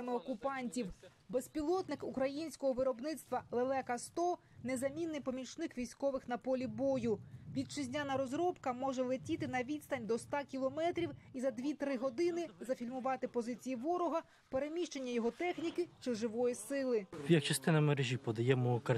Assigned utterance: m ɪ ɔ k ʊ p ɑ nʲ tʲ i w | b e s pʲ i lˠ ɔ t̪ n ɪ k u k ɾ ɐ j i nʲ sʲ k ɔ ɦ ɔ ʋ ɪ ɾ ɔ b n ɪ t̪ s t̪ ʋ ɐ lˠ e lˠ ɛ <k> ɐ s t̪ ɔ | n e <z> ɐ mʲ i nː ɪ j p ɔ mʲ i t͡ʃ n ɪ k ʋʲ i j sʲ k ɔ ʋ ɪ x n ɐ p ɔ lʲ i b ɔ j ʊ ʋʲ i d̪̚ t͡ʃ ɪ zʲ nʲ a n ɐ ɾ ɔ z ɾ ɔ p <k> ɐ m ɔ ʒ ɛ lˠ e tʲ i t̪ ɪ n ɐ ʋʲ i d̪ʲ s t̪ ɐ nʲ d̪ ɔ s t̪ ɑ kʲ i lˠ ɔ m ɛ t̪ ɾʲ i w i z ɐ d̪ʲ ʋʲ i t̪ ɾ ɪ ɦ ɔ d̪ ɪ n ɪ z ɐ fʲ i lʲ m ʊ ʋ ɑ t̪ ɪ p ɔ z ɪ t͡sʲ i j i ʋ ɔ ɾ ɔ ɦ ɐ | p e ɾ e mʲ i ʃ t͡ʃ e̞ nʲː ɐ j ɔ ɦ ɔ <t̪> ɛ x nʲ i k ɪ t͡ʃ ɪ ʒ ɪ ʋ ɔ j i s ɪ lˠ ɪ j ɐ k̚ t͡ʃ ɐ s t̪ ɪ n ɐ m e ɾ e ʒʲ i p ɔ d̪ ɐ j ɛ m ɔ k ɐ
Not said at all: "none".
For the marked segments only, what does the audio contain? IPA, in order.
k, z, k, t̪

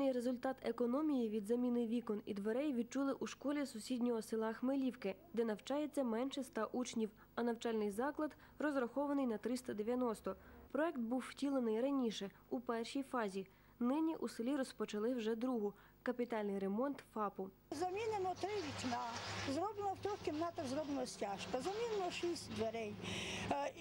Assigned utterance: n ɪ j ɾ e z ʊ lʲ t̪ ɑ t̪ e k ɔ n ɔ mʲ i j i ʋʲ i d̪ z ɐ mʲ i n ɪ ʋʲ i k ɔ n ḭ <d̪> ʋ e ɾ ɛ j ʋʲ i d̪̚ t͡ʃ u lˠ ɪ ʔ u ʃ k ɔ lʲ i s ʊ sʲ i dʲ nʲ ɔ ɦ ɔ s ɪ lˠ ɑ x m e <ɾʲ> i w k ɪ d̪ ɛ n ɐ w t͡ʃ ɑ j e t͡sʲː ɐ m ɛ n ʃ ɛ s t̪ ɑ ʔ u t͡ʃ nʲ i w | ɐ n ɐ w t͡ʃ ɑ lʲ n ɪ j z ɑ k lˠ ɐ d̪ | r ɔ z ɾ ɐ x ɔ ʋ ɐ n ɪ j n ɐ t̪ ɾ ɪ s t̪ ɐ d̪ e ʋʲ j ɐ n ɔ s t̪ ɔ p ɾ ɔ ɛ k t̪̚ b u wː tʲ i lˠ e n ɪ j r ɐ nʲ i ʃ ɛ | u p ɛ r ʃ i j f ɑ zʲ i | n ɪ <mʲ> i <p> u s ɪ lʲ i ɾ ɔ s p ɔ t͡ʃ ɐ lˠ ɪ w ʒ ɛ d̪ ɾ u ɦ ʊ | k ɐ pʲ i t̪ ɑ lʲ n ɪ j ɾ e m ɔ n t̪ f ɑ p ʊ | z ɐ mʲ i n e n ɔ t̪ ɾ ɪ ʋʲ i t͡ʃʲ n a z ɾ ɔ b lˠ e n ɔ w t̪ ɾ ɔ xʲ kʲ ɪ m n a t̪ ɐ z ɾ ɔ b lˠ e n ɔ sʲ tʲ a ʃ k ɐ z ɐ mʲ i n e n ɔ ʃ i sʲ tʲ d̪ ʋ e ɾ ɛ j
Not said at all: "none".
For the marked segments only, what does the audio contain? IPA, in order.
d̪, lʲ, nʲ, ʔ

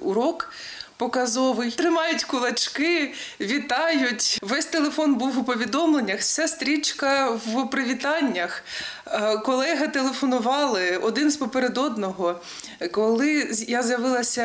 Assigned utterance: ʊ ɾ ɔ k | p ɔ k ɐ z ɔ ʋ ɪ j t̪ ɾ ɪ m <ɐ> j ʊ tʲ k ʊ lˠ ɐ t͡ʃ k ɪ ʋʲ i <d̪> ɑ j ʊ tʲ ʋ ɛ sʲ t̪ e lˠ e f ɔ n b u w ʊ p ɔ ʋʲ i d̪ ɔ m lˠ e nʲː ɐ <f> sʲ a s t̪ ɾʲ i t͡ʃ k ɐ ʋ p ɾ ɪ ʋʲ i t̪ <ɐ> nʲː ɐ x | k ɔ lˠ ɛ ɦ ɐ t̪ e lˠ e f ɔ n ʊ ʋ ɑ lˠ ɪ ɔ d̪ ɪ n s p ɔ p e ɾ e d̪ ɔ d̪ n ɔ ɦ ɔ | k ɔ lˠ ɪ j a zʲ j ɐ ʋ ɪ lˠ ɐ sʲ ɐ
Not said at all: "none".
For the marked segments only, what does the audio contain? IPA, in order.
ɑ, t̪, x, ɑ

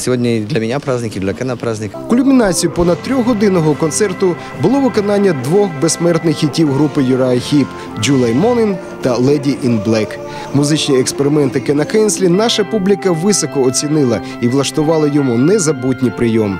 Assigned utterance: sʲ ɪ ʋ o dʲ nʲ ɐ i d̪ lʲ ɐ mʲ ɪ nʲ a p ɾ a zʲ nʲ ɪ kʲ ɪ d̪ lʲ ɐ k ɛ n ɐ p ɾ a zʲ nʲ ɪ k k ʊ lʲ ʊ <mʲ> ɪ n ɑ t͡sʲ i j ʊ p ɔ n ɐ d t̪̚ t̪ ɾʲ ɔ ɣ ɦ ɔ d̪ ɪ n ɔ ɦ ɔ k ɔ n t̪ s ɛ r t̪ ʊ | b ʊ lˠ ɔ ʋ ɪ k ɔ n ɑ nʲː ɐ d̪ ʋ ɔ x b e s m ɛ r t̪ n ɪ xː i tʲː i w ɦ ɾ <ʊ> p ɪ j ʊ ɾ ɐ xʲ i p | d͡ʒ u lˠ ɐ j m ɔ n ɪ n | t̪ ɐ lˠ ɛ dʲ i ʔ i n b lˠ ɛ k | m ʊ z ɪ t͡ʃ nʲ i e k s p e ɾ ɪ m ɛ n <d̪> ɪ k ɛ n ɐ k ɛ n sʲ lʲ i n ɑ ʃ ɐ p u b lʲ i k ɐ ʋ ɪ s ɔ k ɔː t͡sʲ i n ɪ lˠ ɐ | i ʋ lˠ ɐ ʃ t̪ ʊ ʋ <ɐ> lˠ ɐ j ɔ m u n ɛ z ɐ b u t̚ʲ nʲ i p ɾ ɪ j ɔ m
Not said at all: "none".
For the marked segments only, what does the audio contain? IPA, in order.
mʲ, u, t̪, ɑ

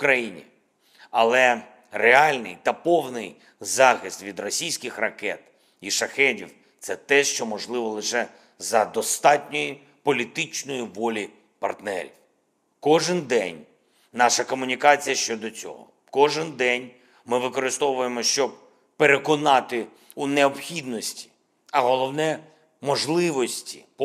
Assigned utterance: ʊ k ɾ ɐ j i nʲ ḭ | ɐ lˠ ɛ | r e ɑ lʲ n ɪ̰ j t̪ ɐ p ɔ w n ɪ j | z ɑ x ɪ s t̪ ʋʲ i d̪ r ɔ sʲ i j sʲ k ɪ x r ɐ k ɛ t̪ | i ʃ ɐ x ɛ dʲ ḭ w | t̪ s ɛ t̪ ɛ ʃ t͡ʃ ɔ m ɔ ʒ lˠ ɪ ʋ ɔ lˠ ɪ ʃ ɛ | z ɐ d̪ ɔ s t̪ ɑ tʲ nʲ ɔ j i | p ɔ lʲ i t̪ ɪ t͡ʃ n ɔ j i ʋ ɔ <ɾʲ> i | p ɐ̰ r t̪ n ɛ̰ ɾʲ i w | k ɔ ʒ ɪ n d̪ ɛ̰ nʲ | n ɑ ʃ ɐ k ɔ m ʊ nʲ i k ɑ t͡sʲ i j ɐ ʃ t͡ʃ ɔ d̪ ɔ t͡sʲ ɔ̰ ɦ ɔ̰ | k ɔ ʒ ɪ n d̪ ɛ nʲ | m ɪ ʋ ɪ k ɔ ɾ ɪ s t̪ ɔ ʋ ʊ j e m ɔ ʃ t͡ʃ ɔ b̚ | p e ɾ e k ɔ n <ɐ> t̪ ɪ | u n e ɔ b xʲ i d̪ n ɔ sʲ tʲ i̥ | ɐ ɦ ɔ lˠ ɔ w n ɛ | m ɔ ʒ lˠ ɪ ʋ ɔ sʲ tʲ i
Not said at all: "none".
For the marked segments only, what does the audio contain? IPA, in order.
lʲ, ɑ

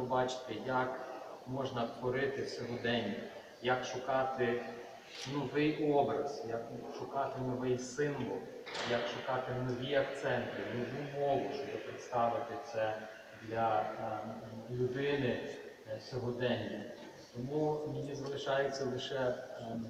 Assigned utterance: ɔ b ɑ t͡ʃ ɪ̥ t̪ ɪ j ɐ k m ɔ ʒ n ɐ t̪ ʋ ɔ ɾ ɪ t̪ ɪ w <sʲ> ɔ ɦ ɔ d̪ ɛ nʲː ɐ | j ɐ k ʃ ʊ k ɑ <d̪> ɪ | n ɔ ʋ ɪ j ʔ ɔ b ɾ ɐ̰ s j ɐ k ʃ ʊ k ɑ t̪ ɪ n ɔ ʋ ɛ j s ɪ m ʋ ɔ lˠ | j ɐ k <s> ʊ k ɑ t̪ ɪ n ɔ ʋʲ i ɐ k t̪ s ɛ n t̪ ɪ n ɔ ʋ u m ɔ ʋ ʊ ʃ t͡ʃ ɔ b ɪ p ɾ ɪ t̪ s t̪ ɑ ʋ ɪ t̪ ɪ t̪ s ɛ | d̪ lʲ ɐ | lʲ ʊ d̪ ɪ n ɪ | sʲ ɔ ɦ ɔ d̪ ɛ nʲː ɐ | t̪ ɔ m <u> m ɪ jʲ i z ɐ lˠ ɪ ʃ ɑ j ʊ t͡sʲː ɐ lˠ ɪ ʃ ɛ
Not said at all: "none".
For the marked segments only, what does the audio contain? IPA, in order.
sʲ, t̪, ʃ, u

